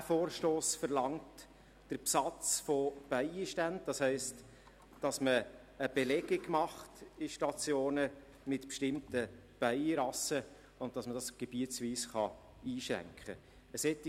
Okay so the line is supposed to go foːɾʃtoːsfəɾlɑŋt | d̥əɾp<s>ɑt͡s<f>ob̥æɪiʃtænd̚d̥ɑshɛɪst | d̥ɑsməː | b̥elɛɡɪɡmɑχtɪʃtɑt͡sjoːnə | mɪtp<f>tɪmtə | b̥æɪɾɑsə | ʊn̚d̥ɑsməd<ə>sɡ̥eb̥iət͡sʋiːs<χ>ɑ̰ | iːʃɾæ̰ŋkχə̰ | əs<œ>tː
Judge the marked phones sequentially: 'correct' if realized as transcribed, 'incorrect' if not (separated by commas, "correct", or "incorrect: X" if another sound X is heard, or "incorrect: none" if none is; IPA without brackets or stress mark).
correct, correct, incorrect: ʃ, incorrect: ɑ, correct, incorrect: ɛ